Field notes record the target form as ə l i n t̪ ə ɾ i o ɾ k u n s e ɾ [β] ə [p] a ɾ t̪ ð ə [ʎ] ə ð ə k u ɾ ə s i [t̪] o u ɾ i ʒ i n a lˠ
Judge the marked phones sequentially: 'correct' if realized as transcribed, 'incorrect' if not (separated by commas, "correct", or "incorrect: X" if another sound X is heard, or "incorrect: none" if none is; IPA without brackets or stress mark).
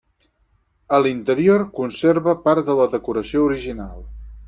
correct, correct, incorrect: l, incorrect: none